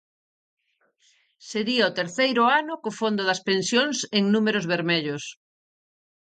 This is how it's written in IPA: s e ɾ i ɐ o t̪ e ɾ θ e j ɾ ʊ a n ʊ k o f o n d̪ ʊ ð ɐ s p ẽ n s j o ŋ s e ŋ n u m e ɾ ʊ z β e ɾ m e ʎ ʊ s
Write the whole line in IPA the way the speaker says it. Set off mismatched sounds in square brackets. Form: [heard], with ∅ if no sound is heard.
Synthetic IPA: s e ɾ i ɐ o t̪ e ɾ θ e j ɾ ʊ a n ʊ k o f o n d̪ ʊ ð ɐ s p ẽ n s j o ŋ s e ŋ n u m e ɾ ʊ z β e ɾ m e ʎ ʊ s